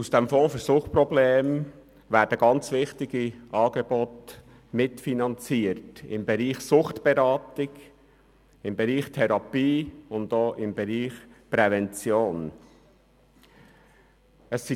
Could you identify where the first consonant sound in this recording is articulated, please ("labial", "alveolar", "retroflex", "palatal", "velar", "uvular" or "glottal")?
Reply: alveolar